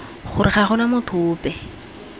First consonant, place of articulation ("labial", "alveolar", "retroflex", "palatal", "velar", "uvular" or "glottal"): uvular